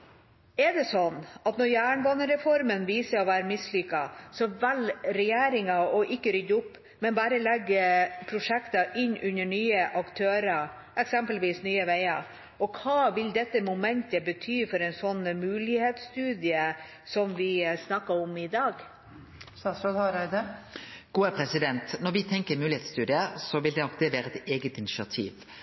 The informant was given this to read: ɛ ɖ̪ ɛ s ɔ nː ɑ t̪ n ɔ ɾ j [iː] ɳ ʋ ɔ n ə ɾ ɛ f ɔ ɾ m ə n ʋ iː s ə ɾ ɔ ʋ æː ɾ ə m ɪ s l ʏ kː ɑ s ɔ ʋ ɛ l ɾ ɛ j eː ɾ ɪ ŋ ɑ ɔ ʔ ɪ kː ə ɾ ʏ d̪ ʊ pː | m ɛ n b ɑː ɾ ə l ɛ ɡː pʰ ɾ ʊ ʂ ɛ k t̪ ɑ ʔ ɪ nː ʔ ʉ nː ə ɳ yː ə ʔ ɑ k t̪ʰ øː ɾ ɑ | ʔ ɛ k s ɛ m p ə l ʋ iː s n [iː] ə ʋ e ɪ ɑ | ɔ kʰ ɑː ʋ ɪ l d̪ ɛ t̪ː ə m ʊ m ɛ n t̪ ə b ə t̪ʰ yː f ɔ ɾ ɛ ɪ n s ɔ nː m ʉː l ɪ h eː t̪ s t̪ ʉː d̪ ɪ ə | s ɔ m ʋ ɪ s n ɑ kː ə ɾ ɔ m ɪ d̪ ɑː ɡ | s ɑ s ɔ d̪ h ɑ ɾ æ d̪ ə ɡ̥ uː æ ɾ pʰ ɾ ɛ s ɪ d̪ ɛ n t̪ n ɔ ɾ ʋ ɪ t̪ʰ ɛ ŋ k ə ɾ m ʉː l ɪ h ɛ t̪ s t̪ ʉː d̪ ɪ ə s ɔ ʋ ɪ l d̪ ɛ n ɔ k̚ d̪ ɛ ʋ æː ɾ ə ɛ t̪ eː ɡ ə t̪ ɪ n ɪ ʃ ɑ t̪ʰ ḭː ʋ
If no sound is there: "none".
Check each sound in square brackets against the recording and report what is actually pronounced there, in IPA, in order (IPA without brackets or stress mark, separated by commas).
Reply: æː, yː